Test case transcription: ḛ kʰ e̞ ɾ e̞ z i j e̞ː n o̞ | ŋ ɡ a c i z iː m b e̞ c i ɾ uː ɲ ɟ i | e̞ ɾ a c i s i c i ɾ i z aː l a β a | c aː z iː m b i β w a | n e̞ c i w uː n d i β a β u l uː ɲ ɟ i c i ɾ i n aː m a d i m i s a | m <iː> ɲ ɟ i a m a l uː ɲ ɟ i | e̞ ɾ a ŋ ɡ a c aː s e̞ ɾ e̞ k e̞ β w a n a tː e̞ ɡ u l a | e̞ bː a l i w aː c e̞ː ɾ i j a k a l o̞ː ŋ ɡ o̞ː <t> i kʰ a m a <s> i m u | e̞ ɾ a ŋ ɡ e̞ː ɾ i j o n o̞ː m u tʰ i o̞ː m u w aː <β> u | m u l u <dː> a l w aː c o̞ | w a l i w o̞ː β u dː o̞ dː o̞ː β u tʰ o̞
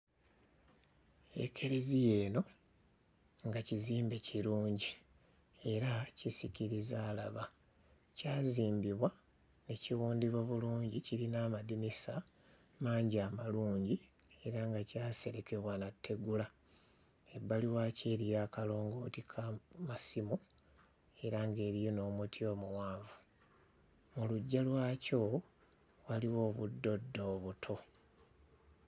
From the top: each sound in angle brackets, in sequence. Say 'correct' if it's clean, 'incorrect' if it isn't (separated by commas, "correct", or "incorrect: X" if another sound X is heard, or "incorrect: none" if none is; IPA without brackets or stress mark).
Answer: incorrect: aː, correct, correct, incorrect: v, incorrect: ɟː